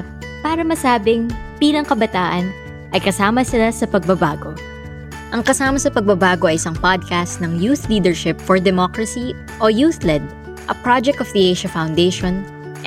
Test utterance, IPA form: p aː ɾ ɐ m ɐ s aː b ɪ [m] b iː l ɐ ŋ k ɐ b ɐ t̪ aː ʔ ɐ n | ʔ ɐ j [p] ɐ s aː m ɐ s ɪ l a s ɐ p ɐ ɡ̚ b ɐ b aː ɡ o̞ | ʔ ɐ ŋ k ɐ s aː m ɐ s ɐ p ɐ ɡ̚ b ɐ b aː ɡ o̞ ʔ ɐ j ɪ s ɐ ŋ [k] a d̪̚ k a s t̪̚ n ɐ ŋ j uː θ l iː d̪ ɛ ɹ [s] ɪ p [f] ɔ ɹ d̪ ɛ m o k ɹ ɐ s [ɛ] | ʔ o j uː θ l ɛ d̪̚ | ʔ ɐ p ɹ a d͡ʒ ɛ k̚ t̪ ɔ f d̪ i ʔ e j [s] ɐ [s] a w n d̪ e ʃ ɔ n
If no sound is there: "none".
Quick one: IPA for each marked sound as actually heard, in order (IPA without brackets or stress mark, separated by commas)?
ŋ, k, p, ʃ, f, i, ʃ, f